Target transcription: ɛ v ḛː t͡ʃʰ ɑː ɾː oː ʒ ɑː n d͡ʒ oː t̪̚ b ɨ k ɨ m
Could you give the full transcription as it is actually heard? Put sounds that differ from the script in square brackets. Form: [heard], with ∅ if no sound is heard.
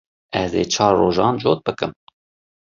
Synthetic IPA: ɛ [z] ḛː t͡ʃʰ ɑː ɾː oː ʒ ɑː n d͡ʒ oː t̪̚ b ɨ k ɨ m

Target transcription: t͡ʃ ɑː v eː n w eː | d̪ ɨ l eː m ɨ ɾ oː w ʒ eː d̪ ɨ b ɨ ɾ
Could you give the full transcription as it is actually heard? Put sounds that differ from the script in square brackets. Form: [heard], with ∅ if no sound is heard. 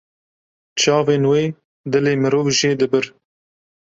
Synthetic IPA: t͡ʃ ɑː v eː n w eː | d̪ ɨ l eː m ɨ ɾ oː [v] ʒ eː d̪ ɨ b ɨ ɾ

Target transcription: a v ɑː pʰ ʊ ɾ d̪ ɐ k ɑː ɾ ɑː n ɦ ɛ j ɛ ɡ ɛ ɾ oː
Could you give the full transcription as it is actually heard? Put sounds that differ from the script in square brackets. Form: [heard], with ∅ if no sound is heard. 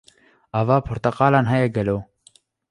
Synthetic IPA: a v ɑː pʰ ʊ ɾ [t̪] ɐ [q] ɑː [l] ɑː n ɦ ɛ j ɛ ɡ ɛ [l] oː

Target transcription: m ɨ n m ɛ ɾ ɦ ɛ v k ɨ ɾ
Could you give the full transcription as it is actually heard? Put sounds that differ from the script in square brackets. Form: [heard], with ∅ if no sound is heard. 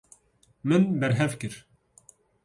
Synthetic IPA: m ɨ n [b] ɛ ɾ ɦ ɛ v k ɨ ɾ

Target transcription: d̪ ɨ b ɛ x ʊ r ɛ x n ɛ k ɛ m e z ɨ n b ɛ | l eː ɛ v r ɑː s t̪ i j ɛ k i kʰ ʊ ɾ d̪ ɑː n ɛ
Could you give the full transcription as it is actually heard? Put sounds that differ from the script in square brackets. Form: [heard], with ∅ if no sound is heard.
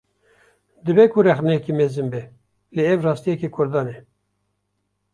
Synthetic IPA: d̪ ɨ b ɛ [k] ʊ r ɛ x n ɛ k [i] m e z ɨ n b ɛ | l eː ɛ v r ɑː s t̪ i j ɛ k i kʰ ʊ ɾ d̪ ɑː n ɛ

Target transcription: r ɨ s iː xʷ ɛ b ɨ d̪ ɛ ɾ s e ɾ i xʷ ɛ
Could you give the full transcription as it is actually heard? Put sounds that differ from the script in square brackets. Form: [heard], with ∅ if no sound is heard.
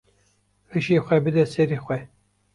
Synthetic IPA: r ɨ [ʃ] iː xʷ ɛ b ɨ d̪ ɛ [∅] s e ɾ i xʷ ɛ

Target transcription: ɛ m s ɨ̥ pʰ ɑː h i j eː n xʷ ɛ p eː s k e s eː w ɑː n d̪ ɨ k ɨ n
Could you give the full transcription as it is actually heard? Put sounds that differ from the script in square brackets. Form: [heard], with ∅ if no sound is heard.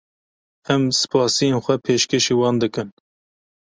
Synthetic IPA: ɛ m s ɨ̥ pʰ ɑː [s] i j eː n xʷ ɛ [pʰ] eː [ʃ] k e [ʃ] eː w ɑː n d̪ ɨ k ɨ n

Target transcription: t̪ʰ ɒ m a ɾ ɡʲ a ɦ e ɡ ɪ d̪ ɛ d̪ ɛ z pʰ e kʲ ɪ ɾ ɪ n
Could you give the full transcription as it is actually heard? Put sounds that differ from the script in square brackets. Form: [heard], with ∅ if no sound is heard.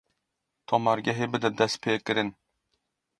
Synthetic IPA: t̪ʰ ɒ m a ɾ ɡʲ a ɦ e [b] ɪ d̪ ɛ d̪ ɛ [s] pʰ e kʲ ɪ ɾ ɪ n

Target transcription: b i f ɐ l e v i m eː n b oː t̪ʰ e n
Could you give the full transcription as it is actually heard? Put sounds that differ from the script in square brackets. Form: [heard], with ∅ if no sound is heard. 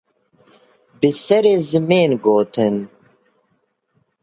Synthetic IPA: b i [s] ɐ [ɾ] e [z] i m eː n [ɡ] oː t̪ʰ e n

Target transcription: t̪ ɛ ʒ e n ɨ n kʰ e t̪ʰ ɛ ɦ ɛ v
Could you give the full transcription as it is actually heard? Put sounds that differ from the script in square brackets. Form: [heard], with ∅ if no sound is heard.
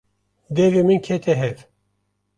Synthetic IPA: [d̪] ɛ [v] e [m] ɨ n kʰ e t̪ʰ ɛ ɦ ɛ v

